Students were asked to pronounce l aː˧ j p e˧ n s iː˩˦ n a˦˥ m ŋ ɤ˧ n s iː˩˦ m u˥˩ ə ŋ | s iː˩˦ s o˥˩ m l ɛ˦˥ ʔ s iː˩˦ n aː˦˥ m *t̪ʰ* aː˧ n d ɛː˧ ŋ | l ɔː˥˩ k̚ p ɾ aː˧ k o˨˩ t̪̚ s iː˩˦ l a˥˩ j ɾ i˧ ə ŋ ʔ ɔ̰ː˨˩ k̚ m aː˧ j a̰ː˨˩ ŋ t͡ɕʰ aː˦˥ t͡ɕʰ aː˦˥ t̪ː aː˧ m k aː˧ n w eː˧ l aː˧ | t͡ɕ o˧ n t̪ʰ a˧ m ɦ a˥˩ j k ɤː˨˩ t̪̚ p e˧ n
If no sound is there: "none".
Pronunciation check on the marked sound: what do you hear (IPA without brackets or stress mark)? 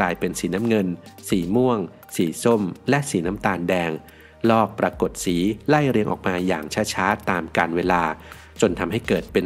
t̪